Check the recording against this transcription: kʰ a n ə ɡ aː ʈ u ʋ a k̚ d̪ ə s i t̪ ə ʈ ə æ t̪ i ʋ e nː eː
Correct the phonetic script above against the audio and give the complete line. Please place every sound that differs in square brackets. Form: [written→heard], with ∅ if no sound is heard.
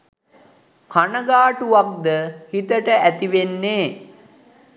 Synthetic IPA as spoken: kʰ a n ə ɡ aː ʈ u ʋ a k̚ d̪ ə [s→h] i t̪ ə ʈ ə æ t̪ i ʋ e nː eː